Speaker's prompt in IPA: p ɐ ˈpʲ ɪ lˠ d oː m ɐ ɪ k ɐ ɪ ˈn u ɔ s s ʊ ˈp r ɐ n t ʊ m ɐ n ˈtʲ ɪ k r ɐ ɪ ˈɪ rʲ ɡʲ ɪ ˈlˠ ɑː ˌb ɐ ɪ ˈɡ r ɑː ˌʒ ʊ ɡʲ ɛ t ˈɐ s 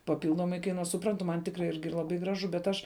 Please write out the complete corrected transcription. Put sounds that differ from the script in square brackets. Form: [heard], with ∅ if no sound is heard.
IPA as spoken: p ɐ ˈpʲ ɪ lˠ d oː m ɐ ɪ k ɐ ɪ ˈn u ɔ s s ʊ ˈp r ɐ n t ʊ m ɐ n ˈtʲ ɪ k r ɐ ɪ ˈɪ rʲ ɡʲ ɪ ˈlˠ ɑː ˌb ɐ ɪ ˈɡ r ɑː ˌʒ ʊ [bʲ] ɛ t ˈɐ [ʃ]